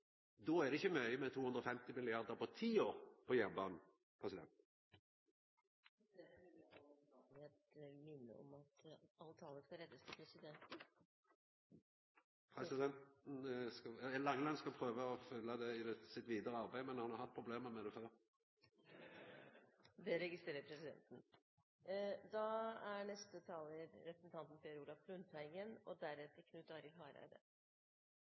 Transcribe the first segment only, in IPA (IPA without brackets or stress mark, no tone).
d̪